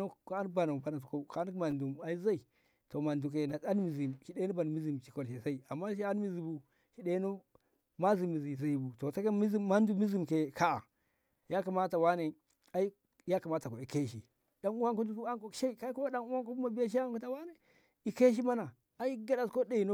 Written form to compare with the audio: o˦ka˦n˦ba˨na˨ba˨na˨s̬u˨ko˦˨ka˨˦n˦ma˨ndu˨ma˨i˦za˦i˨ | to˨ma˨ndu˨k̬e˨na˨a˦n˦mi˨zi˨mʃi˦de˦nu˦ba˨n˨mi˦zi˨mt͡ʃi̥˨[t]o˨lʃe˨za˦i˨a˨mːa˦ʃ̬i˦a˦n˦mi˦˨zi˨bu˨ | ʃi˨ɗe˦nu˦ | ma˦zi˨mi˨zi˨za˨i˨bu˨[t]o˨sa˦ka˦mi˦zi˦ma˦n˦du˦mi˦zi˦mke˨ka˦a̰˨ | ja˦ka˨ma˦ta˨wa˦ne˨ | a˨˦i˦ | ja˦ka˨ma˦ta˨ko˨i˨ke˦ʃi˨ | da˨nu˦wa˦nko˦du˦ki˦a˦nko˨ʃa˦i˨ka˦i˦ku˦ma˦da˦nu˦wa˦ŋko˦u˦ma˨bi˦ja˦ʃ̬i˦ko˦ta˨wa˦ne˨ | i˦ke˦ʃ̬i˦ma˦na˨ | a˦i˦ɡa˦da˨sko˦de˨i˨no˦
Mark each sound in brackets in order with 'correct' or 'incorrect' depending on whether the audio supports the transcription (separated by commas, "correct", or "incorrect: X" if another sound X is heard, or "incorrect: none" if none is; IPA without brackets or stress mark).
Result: incorrect: k, correct